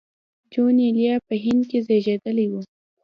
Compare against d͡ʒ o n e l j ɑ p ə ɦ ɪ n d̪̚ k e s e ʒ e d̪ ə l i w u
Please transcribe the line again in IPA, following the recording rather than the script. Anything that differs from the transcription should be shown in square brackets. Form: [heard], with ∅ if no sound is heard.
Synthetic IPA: d͡ʒ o n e l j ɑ p ə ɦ ɪ n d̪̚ k e [z] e ʒ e d̪ ə l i w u